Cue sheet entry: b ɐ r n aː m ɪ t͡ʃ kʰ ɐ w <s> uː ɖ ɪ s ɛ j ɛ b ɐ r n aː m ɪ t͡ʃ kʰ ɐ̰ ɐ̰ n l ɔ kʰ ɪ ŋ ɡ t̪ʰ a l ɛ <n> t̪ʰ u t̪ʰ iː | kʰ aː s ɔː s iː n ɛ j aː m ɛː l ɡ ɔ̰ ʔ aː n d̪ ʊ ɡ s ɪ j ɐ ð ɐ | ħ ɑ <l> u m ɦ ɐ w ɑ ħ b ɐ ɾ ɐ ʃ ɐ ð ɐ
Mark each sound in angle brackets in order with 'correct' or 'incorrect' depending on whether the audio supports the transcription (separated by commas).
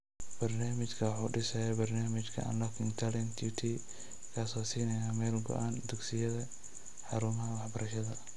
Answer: incorrect, correct, incorrect